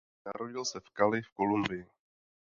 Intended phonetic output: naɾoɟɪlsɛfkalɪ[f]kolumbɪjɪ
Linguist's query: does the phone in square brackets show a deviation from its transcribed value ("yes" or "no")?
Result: no